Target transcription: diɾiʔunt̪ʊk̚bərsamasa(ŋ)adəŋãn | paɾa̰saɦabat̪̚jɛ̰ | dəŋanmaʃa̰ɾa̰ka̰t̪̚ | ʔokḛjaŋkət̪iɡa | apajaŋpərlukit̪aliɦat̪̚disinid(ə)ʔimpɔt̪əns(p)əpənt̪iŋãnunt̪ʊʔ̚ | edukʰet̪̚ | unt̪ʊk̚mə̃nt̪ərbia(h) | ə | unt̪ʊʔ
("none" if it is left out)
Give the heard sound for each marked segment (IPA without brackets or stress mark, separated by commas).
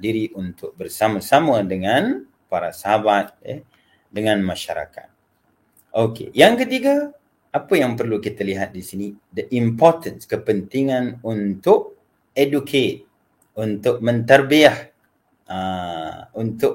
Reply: m, ə, k, h